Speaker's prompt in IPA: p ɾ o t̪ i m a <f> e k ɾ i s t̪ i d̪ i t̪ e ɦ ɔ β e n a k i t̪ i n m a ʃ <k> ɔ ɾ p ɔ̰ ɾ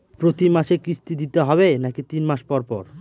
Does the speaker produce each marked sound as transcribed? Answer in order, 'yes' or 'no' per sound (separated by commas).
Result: no, no